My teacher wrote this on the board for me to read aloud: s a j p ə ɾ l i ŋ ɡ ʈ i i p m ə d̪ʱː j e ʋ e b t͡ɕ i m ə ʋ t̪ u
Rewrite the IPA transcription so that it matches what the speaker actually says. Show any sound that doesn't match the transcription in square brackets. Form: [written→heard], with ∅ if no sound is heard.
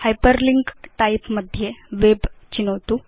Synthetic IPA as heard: [s→h] a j p ə ɾ l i ŋ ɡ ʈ [i→a] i p m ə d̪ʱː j e ʋ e b t͡ɕ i [m→n] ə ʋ t̪ u